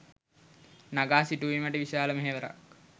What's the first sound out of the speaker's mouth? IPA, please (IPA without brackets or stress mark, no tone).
n